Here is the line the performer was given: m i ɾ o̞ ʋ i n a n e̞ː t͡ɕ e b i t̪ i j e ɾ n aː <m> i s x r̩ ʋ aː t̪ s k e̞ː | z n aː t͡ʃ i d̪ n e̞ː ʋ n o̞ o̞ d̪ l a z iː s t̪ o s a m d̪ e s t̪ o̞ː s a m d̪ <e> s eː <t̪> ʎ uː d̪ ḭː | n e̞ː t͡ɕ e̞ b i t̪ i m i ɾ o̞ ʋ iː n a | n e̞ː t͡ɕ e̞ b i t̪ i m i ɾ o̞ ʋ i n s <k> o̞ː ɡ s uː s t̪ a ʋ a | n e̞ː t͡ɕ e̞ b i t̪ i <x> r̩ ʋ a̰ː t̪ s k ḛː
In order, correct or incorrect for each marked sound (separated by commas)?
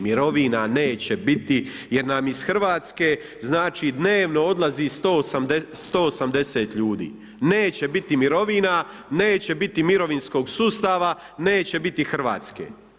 correct, correct, correct, correct, correct